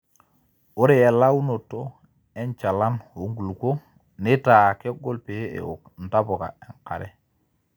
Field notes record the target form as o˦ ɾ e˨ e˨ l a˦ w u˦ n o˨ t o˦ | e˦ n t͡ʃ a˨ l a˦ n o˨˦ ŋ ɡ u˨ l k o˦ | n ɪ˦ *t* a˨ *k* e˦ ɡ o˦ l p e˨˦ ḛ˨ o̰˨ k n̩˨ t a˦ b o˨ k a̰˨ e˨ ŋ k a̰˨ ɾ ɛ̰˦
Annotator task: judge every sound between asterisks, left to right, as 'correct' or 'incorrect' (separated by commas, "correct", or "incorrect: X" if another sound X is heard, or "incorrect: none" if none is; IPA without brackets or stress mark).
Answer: correct, correct